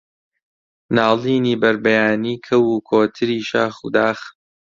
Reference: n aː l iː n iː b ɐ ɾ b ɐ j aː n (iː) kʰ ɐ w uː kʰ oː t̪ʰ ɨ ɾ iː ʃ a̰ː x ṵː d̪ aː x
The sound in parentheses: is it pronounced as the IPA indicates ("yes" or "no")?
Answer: yes